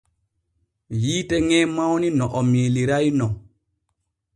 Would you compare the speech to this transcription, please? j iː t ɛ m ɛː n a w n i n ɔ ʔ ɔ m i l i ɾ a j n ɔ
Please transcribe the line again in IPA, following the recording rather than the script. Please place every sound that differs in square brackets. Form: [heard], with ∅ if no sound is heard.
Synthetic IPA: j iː t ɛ [ŋ] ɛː [m] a w n i n ɔ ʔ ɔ m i l i ɾ a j n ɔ